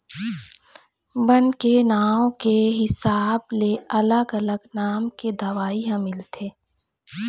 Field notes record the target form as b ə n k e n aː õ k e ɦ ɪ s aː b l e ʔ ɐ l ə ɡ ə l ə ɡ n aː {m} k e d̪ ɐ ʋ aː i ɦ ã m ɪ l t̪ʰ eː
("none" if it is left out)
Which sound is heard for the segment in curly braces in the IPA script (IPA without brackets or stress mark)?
m